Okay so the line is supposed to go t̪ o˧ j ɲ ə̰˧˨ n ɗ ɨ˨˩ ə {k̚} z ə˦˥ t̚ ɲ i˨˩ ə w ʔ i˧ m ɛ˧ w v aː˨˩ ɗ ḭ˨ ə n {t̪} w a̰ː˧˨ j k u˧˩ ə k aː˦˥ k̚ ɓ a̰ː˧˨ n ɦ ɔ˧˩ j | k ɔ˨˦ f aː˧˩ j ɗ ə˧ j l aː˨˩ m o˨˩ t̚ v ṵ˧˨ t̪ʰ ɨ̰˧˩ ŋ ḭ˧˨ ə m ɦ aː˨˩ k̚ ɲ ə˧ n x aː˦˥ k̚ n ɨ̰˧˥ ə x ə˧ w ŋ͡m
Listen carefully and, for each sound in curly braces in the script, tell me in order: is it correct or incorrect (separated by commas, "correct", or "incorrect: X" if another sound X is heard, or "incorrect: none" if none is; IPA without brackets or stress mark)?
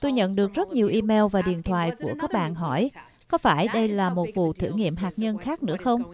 correct, incorrect: t̪ʰ